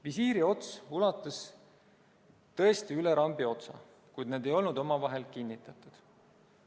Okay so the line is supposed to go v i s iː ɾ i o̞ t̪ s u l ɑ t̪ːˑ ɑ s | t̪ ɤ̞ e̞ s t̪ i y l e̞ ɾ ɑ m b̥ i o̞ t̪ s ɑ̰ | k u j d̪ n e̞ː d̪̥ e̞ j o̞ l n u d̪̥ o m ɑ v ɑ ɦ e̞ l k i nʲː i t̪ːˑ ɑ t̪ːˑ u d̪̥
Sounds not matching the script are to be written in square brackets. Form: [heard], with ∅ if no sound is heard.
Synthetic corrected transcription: v i s iː ɾ i o̞ t̪ s u l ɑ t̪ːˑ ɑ s | t̪ ɤ̞ e̞ s t̪ i y l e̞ ɾ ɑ m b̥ i o̞ t̪ s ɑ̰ | k u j d̪ n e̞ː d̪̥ e̞ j o̞ l n u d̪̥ o m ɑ v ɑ ɦ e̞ l k i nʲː i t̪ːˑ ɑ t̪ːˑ u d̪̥